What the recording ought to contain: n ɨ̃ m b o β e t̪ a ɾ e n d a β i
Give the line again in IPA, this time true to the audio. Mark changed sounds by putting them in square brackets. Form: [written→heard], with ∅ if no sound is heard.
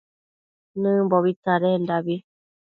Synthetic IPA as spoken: n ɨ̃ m b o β [e→i] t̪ a ɾ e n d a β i

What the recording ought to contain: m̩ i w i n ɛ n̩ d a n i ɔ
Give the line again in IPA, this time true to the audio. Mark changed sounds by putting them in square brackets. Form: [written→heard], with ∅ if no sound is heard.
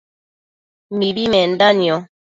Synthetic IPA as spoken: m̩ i [w→b] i [n→m] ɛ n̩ d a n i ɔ

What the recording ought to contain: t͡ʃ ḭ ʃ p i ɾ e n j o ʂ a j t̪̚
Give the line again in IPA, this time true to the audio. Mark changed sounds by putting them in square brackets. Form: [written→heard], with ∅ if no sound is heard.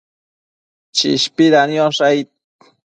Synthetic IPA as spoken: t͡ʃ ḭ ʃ p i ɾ [e→a] n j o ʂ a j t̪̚

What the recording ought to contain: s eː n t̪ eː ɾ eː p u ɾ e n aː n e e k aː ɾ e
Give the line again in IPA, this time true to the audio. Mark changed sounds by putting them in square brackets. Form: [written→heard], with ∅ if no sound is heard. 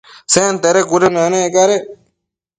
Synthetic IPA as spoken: s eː n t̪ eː ɾ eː [p→k] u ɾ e n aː n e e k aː ɾ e

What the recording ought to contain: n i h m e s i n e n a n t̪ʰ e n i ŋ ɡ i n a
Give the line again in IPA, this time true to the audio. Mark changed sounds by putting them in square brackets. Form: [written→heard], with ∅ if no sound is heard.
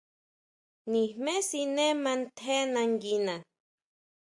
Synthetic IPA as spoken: n i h m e s i n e [n→m] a n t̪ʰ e n [i→a] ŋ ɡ i n a

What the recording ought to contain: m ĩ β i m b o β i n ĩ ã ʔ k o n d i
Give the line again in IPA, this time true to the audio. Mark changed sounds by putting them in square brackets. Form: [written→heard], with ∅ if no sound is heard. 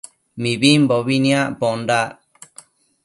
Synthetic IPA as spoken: m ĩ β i m b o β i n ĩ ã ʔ [k→p] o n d [i→a]

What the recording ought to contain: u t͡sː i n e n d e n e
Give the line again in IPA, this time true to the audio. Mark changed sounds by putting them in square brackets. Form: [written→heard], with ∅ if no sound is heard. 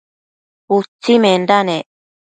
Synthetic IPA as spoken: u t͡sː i [n→m] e n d [e→a] n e

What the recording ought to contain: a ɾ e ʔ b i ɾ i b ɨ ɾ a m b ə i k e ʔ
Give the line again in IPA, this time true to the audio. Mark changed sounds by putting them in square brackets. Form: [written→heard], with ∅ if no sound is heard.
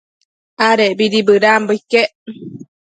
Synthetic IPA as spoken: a ɾ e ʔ b i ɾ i b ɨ ɾ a m b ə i k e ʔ

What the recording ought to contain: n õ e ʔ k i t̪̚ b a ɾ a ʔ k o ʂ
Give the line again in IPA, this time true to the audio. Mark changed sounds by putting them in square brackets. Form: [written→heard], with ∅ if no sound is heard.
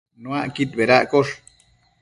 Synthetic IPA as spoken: n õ [e→a] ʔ k i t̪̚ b [a→e] ɾ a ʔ k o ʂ

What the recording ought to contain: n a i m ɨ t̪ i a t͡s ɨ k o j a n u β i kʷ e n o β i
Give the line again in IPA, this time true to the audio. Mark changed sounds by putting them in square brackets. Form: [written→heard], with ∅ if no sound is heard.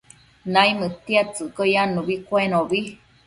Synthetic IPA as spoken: n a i m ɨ t̪ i a t͡s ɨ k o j a n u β i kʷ e n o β i

